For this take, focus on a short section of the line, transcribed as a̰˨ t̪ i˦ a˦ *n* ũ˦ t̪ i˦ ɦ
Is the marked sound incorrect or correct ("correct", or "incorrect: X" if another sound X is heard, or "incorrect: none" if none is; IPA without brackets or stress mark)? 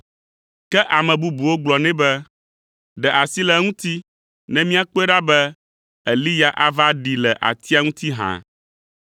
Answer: incorrect: ŋ